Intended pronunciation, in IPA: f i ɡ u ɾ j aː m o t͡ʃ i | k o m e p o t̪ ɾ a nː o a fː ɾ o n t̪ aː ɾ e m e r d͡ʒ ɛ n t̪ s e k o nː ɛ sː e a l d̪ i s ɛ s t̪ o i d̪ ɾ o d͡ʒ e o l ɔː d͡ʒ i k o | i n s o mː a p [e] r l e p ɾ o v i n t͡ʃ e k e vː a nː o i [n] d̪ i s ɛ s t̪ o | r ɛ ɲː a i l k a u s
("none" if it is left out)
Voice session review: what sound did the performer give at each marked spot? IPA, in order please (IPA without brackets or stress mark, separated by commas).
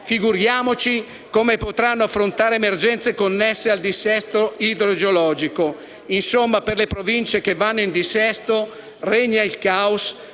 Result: e, n